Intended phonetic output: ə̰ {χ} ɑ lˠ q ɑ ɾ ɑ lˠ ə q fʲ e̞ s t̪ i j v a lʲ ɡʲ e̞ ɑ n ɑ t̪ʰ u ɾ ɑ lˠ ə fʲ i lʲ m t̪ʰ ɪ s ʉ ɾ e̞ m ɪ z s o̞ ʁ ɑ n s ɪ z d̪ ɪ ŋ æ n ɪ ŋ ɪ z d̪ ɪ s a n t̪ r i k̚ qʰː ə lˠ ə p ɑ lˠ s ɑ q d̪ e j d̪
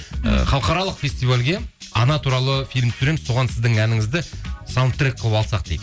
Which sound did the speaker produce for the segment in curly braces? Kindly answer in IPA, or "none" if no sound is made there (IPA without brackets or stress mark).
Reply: χ